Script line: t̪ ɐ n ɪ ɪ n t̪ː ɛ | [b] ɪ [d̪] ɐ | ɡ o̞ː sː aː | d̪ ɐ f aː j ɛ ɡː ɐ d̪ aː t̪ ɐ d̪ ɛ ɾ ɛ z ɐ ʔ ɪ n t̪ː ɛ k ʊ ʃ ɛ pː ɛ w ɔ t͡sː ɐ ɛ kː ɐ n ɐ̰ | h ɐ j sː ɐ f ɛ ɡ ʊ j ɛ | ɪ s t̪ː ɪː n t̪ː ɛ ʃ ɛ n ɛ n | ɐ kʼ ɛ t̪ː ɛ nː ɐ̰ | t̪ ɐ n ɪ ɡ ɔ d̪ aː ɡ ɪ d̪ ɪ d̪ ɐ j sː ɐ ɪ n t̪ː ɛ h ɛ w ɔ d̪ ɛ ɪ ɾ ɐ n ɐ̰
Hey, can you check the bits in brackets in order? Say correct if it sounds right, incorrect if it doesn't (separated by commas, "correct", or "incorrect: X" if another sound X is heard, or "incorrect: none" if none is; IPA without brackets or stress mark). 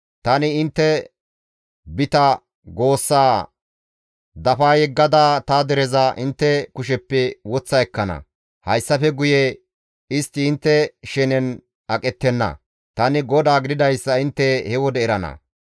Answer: correct, incorrect: t̪